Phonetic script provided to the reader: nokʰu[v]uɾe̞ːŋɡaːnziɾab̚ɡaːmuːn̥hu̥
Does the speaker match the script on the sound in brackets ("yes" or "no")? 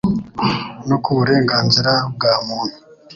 no